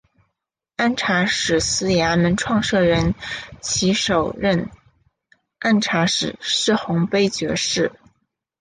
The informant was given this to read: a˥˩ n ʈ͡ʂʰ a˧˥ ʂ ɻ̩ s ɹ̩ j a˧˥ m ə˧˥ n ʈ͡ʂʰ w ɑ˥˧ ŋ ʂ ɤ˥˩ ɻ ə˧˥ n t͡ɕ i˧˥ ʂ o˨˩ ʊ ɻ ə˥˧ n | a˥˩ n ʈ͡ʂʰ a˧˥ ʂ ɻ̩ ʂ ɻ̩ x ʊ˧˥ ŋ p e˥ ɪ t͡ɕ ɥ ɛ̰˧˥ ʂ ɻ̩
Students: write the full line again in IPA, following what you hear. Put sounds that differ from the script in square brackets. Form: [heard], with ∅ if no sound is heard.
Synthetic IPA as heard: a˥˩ n ʈ͡ʂʰ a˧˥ ʂ ɻ̩ s ɹ̩ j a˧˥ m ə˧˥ n ʈ͡ʂʰ w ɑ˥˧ ŋ ʂ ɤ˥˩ ɻ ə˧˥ n [t͡ɕʰ] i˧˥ ʂ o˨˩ ʊ ɻ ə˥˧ n | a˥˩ n ʈ͡ʂʰ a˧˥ ʂ ɻ̩ ʂ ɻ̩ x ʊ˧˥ ŋ p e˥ ɪ t͡ɕ ɥ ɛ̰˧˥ ʂ ɻ̩